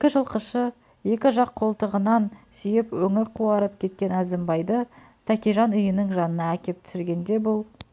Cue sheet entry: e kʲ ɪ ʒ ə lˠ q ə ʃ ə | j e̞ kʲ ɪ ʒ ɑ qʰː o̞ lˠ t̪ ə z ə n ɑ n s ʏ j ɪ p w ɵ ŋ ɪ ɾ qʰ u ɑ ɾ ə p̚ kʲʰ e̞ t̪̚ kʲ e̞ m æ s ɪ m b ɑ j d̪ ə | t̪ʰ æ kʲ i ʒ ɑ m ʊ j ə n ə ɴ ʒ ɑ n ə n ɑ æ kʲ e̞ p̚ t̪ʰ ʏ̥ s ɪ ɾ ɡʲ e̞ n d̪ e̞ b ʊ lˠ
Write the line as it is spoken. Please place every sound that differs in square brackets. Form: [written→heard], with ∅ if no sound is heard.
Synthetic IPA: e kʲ ɪ ʒ ə lˠ q ə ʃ ə | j e̞ kʲ ɪ ʒ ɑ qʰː o̞ lˠ t̪ ə [z→ʁ] ə n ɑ n s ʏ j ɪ p w ɵ ŋ ɪ ɾ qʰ u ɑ ɾ ə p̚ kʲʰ e̞ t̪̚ kʲ e̞ [m→n] æ [s→z] ɪ m b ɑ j d̪ ə | t̪ʰ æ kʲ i ʒ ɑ [m→n] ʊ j ə n ə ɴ ʒ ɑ n ə n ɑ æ kʲ e̞ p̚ t̪ʰ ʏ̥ s ɪ ɾ ɡʲ e̞ n d̪ e̞ b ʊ lˠ